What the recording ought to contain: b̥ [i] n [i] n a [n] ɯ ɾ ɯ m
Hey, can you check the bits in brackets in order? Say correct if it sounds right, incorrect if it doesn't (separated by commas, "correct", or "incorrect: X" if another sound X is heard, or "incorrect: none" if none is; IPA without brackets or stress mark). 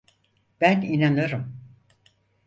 incorrect: æ, correct, correct